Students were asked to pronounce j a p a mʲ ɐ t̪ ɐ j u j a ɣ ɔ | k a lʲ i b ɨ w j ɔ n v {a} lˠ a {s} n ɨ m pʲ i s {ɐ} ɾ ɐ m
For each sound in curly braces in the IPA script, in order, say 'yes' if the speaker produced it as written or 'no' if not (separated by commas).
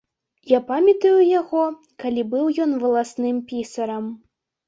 no, yes, yes